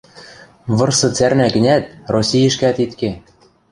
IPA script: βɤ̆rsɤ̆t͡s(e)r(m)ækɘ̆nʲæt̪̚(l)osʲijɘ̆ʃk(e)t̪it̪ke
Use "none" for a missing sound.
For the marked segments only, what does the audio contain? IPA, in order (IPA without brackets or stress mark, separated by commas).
æ, n, r, æ